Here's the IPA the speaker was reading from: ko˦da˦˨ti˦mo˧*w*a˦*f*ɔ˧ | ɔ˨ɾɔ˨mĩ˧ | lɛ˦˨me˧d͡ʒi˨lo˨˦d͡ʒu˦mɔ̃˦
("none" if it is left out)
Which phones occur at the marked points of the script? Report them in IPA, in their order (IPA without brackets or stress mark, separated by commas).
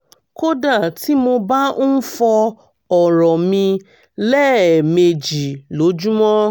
b, f